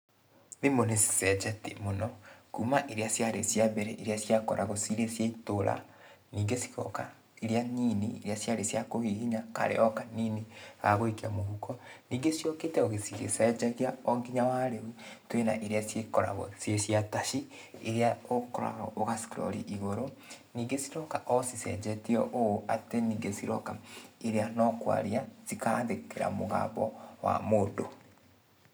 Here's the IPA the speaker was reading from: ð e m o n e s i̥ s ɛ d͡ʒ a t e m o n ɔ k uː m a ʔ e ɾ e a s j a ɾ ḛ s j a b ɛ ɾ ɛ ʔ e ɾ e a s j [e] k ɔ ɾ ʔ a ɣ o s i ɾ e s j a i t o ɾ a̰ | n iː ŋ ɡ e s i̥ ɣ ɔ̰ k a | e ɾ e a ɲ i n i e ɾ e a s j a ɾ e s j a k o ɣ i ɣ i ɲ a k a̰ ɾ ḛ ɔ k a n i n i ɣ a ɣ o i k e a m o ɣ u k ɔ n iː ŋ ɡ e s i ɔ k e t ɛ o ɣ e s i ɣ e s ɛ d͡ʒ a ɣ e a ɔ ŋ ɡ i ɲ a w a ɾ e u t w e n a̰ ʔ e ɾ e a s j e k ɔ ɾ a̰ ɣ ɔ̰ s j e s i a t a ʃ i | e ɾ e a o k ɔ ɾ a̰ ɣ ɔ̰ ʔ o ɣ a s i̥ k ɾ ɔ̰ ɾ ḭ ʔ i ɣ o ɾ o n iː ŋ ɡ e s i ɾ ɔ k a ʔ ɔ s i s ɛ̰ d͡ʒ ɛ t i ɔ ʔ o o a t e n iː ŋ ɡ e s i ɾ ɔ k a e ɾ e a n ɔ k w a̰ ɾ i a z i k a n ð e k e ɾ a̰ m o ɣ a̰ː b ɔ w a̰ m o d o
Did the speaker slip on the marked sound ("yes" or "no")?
yes